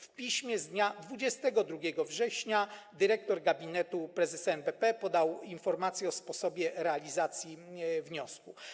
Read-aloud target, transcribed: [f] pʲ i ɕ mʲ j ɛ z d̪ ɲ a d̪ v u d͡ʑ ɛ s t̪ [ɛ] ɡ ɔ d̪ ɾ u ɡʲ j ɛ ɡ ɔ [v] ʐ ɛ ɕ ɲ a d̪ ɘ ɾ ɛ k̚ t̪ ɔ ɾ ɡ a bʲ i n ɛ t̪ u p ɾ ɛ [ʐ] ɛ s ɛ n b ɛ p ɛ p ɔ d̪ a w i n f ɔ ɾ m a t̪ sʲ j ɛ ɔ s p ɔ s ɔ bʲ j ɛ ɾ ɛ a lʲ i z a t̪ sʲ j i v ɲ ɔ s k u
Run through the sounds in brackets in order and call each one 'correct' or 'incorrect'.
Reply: correct, correct, correct, incorrect

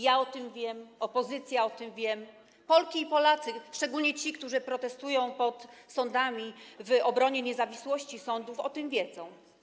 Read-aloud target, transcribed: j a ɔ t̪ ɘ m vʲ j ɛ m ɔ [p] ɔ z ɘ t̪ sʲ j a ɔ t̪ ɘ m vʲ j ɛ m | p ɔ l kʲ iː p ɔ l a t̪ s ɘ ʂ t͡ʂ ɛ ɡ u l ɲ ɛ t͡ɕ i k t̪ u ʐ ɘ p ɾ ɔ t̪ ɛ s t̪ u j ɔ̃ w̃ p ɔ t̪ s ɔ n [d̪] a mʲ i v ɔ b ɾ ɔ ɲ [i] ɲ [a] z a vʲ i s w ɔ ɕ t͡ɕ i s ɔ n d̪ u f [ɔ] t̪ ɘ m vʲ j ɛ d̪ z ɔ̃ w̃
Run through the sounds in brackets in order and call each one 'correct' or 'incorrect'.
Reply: correct, correct, incorrect, incorrect, correct

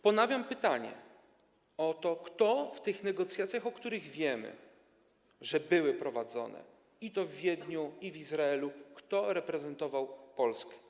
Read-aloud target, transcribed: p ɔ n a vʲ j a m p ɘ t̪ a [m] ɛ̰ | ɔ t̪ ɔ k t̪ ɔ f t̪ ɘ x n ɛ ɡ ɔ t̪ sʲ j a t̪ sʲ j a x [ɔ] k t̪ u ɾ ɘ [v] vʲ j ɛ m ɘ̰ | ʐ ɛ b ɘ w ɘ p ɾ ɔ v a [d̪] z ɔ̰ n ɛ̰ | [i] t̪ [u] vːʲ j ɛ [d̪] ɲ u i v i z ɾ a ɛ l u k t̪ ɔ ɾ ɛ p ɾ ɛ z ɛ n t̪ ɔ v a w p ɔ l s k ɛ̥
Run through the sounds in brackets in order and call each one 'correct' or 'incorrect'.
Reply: incorrect, correct, incorrect, correct, correct, incorrect, correct

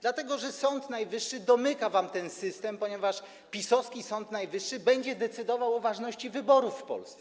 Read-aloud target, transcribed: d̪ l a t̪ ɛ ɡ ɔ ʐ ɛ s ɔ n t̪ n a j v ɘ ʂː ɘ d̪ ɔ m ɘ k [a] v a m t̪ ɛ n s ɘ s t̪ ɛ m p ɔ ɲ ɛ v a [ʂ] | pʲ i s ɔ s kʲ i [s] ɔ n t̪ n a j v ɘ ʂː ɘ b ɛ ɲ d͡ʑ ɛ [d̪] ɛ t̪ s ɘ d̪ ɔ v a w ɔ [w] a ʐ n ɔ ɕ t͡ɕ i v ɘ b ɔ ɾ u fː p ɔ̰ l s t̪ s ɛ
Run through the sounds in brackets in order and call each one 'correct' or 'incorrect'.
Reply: correct, correct, correct, correct, incorrect

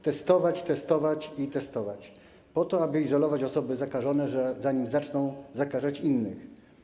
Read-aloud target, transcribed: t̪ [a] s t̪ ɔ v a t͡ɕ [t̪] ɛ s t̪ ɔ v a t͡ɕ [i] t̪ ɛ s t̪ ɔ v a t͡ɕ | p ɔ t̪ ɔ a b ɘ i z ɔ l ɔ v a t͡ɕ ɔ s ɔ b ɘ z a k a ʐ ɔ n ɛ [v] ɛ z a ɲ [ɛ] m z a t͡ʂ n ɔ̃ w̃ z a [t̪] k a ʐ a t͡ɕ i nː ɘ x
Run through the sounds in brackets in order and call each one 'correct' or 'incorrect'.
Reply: incorrect, correct, correct, incorrect, incorrect, incorrect

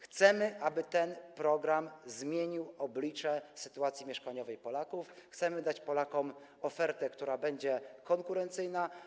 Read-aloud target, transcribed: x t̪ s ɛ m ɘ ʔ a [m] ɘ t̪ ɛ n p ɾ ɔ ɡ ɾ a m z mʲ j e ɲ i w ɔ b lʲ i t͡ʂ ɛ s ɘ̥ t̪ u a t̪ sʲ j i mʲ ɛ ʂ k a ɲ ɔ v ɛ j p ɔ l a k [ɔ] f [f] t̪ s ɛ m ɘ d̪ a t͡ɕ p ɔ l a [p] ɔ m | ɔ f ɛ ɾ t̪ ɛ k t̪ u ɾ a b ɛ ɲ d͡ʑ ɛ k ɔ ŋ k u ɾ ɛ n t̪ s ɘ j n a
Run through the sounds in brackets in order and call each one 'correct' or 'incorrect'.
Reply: incorrect, incorrect, incorrect, incorrect

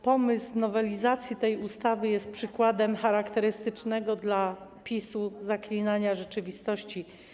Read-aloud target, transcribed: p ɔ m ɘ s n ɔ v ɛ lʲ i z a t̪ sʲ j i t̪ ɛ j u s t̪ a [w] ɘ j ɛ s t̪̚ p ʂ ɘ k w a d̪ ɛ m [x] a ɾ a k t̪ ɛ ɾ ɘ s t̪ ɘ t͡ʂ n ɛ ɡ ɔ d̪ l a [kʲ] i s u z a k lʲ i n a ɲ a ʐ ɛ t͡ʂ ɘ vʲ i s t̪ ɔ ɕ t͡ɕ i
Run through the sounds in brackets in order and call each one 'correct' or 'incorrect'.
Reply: incorrect, correct, incorrect

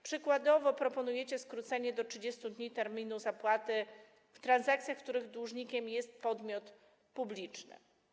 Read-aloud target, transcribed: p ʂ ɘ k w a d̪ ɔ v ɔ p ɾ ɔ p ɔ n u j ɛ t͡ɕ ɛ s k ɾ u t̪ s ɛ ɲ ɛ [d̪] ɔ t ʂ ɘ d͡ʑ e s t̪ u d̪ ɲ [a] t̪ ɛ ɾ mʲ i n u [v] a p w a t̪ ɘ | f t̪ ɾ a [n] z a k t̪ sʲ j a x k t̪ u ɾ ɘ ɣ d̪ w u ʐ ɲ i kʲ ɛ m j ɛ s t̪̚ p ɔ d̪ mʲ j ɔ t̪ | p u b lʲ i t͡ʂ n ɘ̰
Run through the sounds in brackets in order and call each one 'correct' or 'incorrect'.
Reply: correct, incorrect, incorrect, correct

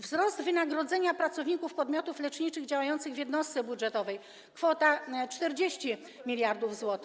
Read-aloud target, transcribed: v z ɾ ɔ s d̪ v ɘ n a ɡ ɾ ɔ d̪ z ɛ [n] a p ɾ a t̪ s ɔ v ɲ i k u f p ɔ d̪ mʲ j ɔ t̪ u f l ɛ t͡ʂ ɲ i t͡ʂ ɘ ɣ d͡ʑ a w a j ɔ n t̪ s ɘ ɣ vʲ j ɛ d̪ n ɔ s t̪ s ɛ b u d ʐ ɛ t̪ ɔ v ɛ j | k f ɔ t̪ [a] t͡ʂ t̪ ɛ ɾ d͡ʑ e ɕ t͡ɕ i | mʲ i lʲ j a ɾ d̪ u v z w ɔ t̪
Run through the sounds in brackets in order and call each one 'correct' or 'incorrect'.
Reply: incorrect, correct

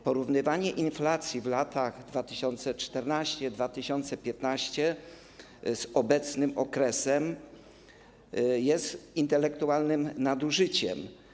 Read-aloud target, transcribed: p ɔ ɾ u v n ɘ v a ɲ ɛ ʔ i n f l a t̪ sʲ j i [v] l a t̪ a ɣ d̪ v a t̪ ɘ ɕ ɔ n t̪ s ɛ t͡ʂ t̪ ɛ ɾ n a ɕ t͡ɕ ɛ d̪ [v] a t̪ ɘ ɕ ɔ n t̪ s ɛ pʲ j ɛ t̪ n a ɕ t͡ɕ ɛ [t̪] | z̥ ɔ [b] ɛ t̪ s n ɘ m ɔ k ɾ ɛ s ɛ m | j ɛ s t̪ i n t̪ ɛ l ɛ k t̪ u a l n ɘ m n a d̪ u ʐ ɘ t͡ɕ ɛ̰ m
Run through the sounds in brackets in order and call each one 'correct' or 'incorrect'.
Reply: correct, correct, incorrect, correct

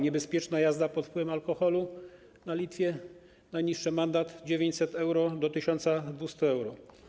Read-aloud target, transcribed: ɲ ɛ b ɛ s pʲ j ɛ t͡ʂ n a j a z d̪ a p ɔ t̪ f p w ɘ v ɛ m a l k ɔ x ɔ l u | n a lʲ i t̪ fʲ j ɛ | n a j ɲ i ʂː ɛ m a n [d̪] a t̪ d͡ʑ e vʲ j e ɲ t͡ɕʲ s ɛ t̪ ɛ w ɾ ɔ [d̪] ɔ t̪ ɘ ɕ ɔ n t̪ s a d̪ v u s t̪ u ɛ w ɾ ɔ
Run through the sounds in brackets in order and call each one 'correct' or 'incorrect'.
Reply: correct, correct

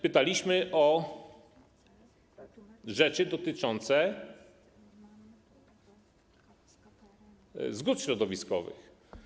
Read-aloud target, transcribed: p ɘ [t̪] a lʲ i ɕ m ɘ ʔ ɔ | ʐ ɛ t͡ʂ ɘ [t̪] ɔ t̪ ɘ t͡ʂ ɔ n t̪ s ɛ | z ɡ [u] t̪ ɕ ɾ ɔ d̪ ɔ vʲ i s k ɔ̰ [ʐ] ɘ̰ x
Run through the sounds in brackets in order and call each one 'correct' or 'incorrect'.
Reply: correct, incorrect, correct, incorrect

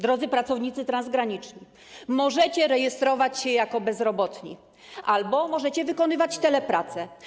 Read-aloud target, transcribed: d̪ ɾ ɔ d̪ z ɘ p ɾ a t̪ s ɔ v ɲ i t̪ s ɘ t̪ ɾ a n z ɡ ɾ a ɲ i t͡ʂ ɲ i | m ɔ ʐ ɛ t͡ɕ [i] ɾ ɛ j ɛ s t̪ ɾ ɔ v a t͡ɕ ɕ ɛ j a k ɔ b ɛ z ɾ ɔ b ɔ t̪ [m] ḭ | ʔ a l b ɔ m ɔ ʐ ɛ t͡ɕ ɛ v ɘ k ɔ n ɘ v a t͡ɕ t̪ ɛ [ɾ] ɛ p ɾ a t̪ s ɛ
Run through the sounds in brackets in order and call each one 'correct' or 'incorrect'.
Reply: incorrect, incorrect, incorrect

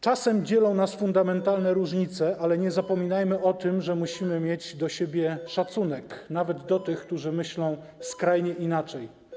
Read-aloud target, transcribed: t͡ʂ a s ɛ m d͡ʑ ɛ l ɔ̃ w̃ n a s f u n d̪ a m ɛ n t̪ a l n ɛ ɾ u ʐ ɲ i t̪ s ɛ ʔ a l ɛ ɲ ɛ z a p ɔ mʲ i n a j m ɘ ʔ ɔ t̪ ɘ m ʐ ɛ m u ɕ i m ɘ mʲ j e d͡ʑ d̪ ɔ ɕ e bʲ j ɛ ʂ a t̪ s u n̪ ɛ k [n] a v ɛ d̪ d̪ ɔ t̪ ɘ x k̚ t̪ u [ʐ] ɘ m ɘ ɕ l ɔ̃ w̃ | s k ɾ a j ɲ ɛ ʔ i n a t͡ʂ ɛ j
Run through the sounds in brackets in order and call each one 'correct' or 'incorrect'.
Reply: correct, correct

